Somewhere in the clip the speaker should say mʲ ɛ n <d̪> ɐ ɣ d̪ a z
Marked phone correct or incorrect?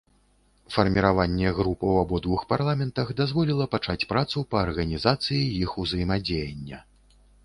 incorrect